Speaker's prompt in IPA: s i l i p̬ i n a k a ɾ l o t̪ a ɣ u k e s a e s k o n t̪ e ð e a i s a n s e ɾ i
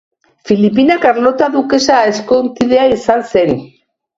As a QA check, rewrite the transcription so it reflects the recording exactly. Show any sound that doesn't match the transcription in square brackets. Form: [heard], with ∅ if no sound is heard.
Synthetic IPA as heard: [f] i l i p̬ i n a k a ɾ l o t̪ a [ð] u k e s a e s k o n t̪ [i] ð e a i s a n s e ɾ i